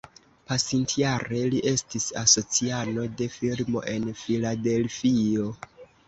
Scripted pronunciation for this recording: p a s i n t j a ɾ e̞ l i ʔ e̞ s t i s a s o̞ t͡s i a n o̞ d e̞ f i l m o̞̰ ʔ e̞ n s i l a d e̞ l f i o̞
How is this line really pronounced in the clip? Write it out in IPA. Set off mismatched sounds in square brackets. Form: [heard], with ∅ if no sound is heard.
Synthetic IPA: p a s i n t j a ɾ e̞ l i ʔ e̞ s t i s a s o̞ t͡s i a n o̞ d e̞ f i l m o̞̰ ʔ e̞ n [f] i l a d e̞ l f i o̞